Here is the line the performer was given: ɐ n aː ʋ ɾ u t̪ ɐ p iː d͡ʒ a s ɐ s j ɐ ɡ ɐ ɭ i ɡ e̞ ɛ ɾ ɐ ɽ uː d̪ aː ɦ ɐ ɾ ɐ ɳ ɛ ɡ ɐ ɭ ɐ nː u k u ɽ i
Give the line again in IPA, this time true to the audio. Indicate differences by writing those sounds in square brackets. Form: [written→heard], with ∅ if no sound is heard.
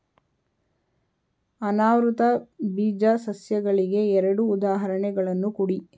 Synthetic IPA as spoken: ɐ n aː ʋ ɾ u t̪ ɐ [p→b] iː d͡ʒ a s ɐ s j ɐ ɡ ɐ ɭ i ɡ e̞ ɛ ɾ ɐ ɽ uː d̪ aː ɦ ɐ ɾ ɐ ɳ ɛ ɡ ɐ ɭ ɐ nː u k u ɽ i